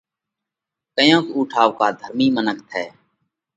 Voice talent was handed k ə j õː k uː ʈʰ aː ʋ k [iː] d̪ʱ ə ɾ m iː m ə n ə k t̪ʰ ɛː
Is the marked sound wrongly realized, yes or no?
yes